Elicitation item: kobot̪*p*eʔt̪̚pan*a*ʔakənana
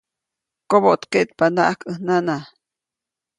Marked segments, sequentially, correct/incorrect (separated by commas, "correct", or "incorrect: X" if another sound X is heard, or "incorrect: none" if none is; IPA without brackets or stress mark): incorrect: k, correct